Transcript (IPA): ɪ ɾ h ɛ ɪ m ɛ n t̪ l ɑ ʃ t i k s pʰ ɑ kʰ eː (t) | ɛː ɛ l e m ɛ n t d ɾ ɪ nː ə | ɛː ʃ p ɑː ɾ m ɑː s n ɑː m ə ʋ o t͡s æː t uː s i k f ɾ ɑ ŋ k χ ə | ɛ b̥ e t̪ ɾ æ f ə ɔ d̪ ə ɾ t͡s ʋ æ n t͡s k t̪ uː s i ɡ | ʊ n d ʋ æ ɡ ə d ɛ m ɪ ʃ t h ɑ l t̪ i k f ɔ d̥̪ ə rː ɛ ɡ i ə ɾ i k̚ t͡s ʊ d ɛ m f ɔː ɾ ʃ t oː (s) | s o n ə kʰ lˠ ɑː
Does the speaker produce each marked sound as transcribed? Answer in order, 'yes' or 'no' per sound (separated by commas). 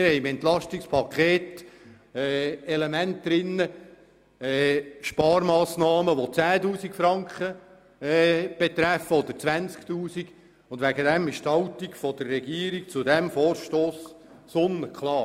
yes, yes